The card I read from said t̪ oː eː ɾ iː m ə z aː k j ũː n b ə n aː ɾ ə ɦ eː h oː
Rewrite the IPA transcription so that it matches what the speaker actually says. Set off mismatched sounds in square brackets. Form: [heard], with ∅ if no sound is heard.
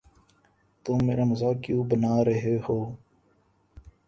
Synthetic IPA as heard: t̪ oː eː ɾ [aː] m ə z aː k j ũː [∅] b ə n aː ɾ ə ɦ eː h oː